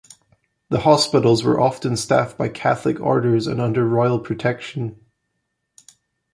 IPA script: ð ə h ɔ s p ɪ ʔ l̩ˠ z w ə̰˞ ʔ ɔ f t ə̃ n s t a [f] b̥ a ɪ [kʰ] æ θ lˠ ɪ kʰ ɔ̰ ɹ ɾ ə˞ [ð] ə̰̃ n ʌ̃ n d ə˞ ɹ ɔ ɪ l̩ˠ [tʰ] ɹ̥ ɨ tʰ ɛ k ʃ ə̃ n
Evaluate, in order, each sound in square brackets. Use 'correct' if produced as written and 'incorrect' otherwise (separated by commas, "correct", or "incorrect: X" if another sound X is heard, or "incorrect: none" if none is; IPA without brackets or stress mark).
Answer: correct, correct, incorrect: z, incorrect: pʰ